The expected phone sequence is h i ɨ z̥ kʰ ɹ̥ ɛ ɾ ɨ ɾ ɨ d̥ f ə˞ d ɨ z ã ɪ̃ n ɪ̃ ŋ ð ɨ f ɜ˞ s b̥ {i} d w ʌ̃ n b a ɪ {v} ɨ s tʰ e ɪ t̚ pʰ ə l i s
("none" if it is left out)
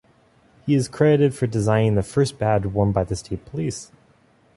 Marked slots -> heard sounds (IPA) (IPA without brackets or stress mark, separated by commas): æ, ð